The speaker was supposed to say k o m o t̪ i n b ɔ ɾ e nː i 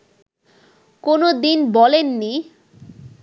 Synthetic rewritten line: k o n o d̪ i n b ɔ l e nː i